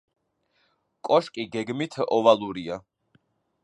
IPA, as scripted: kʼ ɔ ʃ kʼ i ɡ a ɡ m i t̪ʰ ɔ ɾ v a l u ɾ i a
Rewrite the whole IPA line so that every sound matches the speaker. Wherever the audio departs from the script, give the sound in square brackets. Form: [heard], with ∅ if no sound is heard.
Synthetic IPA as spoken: kʼ ɔ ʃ kʼ i ɡ [ɛ] ɡ m i t̪ʰ ɔ [∅] v a l u ɾ i a

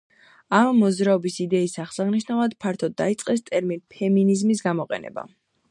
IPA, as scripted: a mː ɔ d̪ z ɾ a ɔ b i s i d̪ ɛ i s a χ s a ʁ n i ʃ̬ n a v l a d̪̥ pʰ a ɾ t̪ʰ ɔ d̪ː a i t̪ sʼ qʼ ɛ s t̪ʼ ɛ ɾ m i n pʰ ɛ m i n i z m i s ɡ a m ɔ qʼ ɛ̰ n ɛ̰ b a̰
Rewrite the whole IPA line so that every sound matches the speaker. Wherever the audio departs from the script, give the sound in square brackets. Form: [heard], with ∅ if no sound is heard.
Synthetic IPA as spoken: a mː ɔ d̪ z ɾ a ɔ b i s i d̪ ɛ i s a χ s a ʁ n i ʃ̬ n a v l a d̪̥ pʰ a ɾ t̪ʰ ɔ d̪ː a i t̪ sʼ qʼ ɛ s t̪ʼ ɛ ɾ m i n pʰ ɛ m i n i z m i s ɡ a m ɔ qʼ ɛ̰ n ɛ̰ b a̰

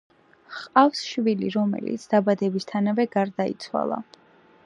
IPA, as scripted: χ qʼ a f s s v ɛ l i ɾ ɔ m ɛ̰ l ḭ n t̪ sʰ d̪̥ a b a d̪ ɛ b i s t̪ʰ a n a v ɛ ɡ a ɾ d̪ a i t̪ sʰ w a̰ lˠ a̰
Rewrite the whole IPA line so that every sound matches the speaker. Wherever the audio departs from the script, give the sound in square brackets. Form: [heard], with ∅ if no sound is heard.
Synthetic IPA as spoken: χ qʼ a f s [ʃ] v [i] l i ɾ ɔ m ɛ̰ l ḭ [∅] t̪ sʰ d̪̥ a b a d̪ ɛ b i s t̪ʰ a n a v ɛ ɡ a ɾ d̪ a i t̪ sʰ w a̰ lˠ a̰

